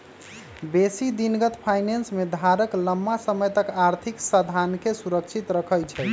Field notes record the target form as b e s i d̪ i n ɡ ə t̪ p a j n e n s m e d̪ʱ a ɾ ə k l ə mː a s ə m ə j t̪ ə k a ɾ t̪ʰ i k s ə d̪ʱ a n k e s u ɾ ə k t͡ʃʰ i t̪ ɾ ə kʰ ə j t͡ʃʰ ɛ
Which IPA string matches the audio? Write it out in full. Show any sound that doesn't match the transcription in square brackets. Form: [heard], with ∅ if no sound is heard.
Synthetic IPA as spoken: b e s i d̪ i n ɡ ə t̪ [pʰ] a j n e n s m e d̪ʱ a ɾ ə k l ə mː a s ə m ə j t̪ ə k a ɾ t̪ʰ i k s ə d̪ʱ a n k e s u ɾ ə k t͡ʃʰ i t̪ ɾ ə kʰ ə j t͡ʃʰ ɛ